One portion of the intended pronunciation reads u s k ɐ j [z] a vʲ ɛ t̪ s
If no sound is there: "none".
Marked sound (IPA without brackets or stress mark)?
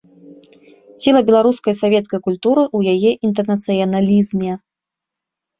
s